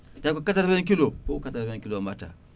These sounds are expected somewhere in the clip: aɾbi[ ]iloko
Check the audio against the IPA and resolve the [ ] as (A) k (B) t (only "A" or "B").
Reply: A